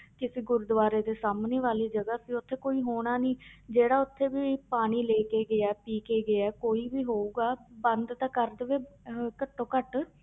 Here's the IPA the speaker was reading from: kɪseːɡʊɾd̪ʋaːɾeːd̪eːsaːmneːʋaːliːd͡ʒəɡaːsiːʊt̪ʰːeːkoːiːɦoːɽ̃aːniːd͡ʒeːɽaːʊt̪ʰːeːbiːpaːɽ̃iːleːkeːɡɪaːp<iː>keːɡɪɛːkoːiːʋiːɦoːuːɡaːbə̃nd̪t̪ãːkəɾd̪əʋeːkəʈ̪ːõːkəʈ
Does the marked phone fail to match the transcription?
no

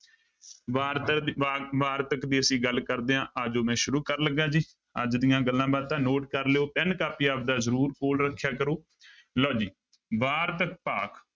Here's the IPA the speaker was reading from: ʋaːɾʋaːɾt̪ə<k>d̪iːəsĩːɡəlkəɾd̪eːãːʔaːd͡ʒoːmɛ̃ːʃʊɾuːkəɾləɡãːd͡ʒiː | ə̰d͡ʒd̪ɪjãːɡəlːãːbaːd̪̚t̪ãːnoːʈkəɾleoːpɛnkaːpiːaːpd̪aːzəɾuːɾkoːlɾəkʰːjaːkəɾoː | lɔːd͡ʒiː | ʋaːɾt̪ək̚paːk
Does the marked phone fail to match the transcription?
no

